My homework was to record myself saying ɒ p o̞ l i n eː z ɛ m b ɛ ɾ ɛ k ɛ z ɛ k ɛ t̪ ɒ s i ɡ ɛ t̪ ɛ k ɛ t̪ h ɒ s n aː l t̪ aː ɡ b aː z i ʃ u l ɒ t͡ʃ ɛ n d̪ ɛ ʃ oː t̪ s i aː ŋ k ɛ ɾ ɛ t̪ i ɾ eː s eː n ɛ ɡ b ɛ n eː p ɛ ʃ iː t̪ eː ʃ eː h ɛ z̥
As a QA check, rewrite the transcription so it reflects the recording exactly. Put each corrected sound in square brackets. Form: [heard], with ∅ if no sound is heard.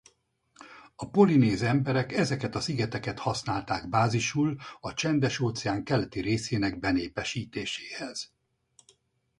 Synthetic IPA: ɒ p o̞ l i n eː z ɛ m b ɛ ɾ ɛ k ɛ z ɛ k ɛ t̪ ɒ s i ɡ ɛ t̪ ɛ k ɛ t̪ h ɒ s n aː l t̪ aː ɡ b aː z i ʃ u l ɒ t͡ʃ ɛ n d̪ ɛ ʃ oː t̪ s [ɛ] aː ŋ k ɛ [l] ɛ t̪ i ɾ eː s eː n ɛ ɡ b ɛ n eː p ɛ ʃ iː t̪ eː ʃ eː h ɛ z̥